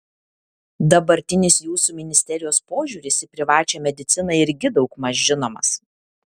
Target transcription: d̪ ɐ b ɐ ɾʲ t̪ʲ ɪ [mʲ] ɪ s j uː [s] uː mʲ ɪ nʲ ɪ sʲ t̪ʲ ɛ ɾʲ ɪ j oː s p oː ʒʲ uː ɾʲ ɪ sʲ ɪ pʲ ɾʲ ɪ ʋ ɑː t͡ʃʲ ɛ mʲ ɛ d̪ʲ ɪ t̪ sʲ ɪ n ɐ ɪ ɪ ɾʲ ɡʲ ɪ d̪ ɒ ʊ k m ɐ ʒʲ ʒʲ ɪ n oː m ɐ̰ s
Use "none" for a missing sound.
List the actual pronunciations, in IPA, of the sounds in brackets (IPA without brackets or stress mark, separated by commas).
nʲ, s